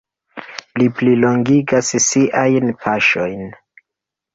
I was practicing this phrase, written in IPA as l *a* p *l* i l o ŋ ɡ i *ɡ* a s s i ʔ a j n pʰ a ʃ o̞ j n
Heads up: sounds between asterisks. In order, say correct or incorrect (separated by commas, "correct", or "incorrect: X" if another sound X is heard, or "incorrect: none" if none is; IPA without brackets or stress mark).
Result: incorrect: i, correct, correct